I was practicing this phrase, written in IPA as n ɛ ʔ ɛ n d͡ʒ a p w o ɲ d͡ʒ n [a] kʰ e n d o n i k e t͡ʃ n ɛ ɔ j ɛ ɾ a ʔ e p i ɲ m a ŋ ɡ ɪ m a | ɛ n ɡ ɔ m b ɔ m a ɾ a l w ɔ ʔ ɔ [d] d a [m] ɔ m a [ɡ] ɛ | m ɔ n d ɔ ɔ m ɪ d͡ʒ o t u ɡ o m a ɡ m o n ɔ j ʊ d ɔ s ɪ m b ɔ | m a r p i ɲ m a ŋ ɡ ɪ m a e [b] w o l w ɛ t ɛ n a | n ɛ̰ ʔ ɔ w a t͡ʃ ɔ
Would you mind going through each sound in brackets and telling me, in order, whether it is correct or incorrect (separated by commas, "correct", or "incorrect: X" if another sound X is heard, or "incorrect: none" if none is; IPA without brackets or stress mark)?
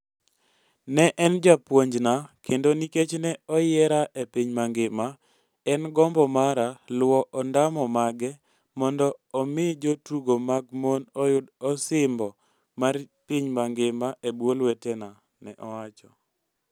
correct, incorrect: n, correct, correct, correct